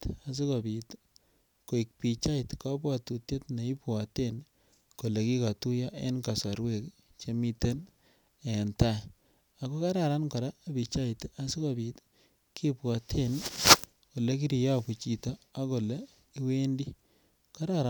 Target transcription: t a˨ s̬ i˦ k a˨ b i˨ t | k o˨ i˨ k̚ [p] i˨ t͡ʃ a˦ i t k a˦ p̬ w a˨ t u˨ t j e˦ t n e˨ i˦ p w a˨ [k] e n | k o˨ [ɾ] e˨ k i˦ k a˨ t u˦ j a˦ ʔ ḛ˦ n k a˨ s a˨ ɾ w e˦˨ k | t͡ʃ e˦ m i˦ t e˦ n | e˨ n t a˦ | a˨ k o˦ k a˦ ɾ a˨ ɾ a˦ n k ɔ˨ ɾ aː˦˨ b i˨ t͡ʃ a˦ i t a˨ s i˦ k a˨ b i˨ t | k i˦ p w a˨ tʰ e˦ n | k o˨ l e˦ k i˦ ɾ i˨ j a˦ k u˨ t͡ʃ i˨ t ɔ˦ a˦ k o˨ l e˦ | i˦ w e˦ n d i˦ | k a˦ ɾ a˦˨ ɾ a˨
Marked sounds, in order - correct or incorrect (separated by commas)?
correct, incorrect, incorrect